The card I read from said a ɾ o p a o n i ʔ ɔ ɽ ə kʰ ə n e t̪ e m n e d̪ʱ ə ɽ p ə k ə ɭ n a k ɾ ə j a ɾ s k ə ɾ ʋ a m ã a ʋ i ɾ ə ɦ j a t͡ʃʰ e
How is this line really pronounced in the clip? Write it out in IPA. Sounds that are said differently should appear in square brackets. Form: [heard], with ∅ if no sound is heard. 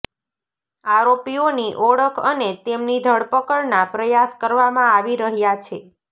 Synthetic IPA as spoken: a ɾ o p [i] o n i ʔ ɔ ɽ ə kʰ ə n e t̪ e m n [i] d̪ʱ ə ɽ p ə k ə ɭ n a [p] ɾ ə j a [∅] s k ə ɾ ʋ a m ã a ʋ i ɾ ə ɦ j a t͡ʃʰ e